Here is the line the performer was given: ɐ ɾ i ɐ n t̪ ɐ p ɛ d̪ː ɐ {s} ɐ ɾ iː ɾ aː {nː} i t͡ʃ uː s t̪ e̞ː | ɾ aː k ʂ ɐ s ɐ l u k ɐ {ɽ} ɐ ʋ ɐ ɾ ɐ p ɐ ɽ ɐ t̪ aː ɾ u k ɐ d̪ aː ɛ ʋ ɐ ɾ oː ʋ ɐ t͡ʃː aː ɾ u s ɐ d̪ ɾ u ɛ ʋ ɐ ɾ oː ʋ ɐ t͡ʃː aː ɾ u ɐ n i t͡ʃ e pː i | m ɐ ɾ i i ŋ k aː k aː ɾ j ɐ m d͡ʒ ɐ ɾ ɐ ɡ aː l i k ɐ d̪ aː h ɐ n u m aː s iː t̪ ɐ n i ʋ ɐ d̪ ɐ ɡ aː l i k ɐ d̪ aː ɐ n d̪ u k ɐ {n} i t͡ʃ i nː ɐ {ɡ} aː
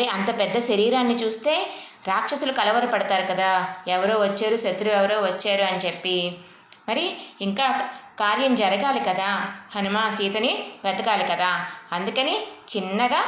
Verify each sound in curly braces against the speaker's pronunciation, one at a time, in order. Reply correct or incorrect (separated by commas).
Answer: incorrect, correct, incorrect, correct, correct